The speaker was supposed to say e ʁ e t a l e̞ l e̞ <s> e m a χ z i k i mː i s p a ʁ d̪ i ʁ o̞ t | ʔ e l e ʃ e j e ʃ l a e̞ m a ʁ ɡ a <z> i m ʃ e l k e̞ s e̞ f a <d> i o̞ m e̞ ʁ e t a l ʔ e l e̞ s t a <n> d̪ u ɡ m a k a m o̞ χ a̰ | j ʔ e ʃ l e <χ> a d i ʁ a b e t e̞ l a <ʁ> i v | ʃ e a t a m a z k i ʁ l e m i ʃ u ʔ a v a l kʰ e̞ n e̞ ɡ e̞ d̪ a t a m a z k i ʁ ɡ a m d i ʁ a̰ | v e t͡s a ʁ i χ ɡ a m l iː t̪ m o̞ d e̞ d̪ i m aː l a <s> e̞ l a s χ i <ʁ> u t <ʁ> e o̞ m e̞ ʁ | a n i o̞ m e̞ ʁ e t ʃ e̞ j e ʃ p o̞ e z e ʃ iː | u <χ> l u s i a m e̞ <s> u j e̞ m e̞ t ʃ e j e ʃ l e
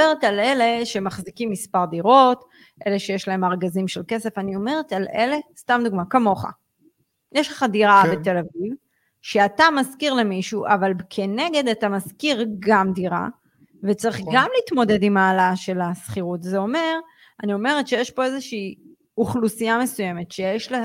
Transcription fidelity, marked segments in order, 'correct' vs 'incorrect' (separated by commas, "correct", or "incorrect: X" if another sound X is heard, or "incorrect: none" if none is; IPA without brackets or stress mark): incorrect: ʃ, correct, incorrect: n, incorrect: m, correct, incorrect: v, incorrect: ʃ, correct, incorrect: z, correct, correct